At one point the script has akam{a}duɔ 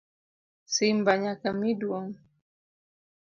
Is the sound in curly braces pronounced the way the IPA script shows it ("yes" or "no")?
no